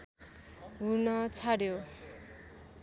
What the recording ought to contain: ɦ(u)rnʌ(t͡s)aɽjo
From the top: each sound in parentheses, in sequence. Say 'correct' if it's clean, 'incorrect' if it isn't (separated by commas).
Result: correct, incorrect